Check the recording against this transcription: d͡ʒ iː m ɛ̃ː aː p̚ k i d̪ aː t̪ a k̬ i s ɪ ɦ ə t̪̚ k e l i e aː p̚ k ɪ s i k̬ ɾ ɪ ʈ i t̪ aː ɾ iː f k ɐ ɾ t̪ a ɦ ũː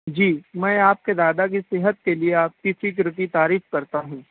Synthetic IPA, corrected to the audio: d͡ʒ iː m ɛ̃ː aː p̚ k e d̪ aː d̪ a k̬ i s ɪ ɦ ə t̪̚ k e l i e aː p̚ k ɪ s i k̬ ɾ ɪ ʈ i t̪ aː ɾ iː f k ɐ ɾ t̪ a ɦ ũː